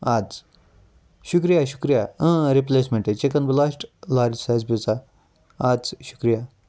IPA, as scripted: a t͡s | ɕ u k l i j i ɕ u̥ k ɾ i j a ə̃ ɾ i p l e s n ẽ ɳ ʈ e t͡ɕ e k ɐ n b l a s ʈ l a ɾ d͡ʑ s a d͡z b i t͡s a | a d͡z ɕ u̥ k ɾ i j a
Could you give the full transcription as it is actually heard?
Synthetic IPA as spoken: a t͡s | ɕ u k ɾ i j a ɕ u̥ k ɾ i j a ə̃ ɾ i p l e s m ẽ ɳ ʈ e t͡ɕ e k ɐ n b l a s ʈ l a ɾ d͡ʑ s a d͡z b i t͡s a | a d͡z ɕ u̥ k ɾ i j a